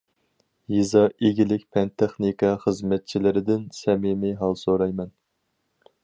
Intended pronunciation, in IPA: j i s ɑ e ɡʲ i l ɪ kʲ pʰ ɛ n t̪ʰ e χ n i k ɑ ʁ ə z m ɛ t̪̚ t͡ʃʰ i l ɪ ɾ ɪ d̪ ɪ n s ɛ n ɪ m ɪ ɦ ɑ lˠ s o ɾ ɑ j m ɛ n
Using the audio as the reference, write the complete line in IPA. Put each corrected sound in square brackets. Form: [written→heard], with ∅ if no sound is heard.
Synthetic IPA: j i [s→z] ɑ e ɡʲ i l ɪ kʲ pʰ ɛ n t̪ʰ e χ n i k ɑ [ʁ→χ] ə z m ɛ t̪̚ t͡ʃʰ i l ɪ ɾ ɪ d̪ ɪ n s ɛ [n→m] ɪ m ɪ ɦ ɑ lˠ s o ɾ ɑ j m ɛ n